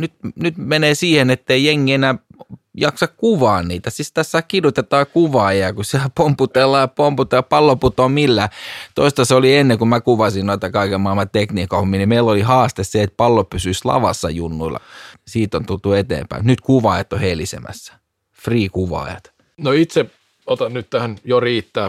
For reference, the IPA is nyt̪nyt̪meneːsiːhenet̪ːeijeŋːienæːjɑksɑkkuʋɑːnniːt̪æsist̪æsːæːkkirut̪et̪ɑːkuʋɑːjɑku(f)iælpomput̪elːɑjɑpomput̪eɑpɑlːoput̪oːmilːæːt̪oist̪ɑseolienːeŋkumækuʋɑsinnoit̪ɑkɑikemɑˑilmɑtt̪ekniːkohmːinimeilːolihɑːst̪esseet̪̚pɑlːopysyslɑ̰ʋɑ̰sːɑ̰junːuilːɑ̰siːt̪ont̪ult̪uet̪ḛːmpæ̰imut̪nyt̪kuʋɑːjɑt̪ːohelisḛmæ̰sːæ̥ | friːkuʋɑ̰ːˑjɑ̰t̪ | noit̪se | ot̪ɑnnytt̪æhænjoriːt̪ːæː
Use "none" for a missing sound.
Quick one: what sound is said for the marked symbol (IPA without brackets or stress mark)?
s